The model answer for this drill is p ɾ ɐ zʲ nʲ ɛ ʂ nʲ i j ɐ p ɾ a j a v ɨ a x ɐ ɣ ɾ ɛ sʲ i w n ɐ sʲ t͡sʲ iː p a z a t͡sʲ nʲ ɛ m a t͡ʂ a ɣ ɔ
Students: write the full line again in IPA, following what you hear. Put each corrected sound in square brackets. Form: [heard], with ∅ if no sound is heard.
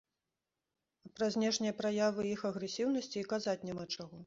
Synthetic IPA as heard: p ɾ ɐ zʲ nʲ ɛ ʂ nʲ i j ɐ p ɾ a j a v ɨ [i] x ɐ ɣ ɾ ɛ sʲ i w n ɐ sʲ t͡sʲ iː [k] a z a t͡sʲ nʲ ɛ m a t͡ʂ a ɣ ɔ